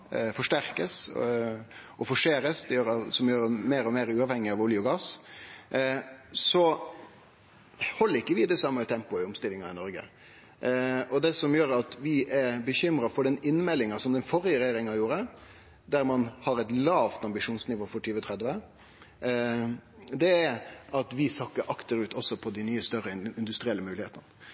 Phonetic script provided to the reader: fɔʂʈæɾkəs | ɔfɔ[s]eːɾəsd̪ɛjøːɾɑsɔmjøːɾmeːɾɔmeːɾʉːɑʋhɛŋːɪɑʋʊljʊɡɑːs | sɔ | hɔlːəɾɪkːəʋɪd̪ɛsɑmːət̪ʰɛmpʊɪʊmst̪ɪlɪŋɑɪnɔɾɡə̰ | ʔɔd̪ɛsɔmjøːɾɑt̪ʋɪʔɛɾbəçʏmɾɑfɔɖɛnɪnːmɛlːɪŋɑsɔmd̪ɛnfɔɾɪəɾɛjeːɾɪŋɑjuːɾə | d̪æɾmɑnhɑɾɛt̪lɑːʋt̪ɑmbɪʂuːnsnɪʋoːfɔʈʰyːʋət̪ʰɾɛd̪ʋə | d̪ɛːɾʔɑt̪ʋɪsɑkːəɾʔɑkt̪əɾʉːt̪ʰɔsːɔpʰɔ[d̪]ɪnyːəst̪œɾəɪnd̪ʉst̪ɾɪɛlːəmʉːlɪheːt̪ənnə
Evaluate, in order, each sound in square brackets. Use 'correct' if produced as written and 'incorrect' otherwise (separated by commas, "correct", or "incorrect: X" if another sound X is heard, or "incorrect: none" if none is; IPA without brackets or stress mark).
incorrect: ʂ, correct